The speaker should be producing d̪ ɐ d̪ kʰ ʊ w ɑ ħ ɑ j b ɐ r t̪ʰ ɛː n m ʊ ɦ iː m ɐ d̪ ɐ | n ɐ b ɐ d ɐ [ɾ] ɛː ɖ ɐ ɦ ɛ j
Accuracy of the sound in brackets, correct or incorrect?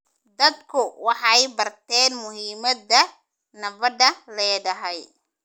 incorrect: l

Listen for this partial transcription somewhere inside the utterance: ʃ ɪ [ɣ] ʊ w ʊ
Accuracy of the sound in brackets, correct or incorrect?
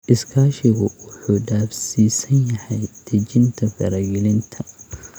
correct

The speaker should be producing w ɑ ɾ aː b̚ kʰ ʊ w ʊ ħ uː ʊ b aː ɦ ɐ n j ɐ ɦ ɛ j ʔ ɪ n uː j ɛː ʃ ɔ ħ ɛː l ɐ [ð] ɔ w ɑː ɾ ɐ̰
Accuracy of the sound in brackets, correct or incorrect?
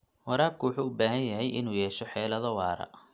correct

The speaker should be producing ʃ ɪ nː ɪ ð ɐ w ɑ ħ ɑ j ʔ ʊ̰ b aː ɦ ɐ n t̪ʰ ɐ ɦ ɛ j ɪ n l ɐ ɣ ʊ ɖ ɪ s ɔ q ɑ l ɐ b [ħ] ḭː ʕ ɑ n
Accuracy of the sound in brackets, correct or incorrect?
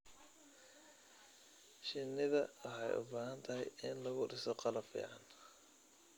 incorrect: f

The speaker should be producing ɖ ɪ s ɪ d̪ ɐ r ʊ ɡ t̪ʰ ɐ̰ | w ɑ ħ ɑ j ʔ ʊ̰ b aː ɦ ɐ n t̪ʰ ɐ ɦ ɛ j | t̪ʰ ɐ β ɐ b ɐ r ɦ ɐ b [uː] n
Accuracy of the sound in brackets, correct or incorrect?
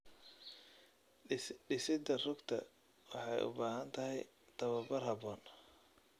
incorrect: ɔː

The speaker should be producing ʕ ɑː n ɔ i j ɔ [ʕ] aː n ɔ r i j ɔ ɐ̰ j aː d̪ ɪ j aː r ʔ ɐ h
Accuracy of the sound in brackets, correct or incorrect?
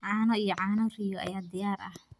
correct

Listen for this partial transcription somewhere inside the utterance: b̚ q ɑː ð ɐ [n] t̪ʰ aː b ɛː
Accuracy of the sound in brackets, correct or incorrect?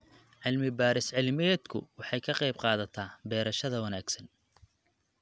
incorrect: none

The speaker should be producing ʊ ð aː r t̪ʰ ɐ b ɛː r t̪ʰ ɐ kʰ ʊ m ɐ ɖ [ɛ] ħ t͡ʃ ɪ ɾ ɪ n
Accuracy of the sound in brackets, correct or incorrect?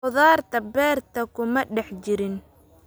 correct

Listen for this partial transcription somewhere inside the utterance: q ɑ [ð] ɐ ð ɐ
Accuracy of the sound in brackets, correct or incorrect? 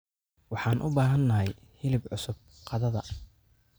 correct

